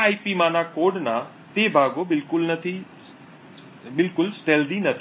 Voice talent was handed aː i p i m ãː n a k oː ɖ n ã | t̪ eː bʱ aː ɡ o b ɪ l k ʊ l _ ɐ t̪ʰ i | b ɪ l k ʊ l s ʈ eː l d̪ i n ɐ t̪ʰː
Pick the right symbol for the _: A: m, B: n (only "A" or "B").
B